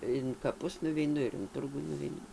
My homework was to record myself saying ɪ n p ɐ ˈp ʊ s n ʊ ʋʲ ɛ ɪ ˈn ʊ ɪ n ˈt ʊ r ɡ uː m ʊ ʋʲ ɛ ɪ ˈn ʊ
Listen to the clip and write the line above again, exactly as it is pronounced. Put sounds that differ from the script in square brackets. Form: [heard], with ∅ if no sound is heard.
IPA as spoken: ɪ n [k] ɐ ˈp ʊ s n ʊ ʋʲ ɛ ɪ ˈn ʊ ɪ n ˈt ʊ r ɡ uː [n] ʊ ʋʲ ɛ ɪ ˈn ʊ